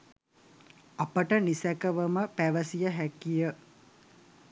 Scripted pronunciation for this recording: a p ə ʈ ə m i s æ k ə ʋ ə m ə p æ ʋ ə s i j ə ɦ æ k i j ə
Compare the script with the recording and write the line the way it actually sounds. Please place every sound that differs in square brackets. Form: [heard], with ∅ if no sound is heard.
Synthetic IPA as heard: a p ə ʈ ə [n] i s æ k ə ʋ ə m ə p æ ʋ ə s i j ə ɦ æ k i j ə